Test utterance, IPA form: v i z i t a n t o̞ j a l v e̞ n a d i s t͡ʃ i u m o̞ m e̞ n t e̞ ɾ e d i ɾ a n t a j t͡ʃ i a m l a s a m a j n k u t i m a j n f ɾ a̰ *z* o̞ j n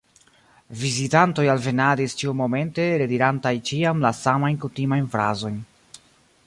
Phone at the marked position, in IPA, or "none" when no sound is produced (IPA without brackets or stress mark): z